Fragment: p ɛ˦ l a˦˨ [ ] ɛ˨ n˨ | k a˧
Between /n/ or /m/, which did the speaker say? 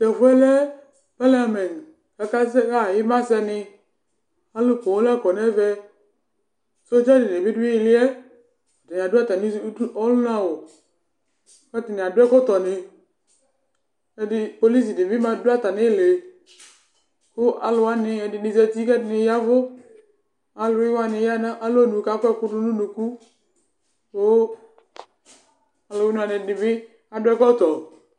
m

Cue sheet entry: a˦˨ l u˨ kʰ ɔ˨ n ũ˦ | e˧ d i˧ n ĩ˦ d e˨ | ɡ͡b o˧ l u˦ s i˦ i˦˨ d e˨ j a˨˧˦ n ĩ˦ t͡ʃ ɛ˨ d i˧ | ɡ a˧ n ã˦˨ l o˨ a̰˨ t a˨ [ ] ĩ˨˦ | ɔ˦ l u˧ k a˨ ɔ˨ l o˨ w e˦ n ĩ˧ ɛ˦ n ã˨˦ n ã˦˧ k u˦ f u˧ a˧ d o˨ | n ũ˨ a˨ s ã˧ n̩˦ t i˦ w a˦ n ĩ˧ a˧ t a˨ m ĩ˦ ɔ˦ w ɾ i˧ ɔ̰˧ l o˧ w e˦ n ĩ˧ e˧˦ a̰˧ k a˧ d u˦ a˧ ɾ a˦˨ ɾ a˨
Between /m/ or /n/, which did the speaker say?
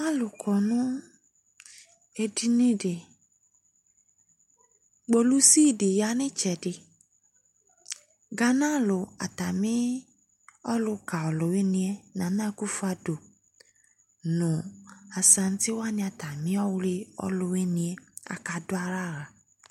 m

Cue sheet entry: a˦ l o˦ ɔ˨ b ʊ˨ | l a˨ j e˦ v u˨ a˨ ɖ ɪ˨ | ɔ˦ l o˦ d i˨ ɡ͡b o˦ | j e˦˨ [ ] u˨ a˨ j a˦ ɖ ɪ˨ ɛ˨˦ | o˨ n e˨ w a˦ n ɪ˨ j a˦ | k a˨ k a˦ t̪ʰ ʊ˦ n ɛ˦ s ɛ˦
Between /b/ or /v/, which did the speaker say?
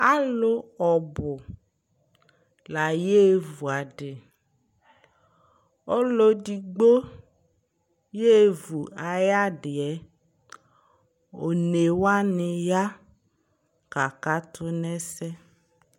v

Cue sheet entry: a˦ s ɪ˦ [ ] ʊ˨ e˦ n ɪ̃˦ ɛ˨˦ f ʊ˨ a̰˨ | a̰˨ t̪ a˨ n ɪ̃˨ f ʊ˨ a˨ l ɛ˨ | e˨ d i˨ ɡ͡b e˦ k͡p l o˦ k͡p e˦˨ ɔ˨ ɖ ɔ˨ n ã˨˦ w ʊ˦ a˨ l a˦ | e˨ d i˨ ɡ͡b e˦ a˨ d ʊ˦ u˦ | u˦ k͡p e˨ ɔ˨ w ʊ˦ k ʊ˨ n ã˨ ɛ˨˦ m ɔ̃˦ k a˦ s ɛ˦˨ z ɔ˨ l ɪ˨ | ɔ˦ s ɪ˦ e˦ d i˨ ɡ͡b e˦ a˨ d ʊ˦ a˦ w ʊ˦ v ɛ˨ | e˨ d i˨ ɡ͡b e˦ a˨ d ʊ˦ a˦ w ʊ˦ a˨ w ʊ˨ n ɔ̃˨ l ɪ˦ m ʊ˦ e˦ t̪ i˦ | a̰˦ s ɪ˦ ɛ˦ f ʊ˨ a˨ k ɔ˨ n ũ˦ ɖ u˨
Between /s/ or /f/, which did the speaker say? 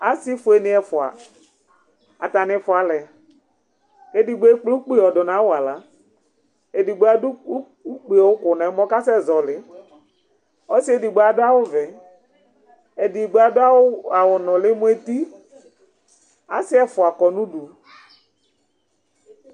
f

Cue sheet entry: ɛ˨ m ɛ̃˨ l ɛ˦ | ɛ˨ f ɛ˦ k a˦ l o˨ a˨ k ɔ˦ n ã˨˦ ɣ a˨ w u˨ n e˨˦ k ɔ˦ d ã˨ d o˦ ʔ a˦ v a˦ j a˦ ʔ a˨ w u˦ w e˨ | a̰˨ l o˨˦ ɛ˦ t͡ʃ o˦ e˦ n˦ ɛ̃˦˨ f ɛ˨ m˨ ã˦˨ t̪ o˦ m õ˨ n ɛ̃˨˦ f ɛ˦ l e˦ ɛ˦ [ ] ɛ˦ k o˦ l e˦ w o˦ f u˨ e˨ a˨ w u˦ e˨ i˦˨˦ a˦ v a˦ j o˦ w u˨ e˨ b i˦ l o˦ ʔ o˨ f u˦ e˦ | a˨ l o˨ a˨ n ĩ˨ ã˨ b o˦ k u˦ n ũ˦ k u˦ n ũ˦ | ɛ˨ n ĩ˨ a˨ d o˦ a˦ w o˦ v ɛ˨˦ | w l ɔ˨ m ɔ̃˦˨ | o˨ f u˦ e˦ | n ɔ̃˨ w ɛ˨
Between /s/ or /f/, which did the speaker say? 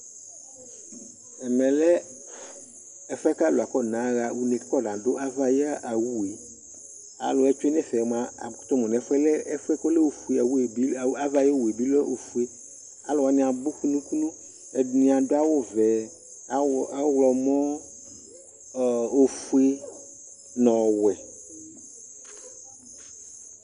f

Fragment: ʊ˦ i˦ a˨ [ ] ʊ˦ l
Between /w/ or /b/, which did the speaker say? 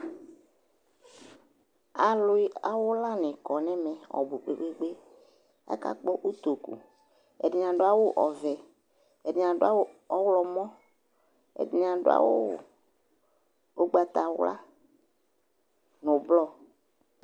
w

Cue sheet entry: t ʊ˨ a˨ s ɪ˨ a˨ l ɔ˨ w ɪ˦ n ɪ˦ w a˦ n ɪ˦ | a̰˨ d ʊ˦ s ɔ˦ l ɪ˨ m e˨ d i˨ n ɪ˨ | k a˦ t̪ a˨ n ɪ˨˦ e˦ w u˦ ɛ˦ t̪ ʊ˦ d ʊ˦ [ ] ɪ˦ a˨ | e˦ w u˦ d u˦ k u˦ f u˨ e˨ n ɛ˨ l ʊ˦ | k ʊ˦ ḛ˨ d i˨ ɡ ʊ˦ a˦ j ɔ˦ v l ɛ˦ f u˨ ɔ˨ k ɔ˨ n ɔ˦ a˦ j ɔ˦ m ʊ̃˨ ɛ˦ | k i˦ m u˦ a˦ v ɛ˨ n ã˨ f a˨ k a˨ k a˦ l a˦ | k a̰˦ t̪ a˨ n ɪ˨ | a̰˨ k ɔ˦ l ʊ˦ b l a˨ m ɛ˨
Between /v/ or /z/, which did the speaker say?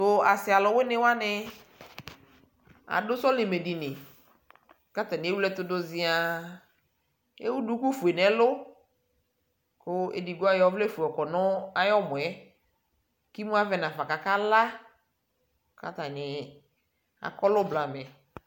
z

